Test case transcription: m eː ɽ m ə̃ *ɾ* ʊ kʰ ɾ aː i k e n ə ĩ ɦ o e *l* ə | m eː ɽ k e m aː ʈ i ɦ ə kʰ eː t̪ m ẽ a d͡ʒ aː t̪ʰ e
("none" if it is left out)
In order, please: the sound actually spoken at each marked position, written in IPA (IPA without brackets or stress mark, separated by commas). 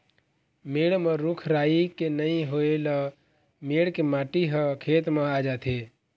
ɾ, l